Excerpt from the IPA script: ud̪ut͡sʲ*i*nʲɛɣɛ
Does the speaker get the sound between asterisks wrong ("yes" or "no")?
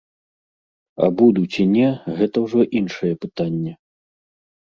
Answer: no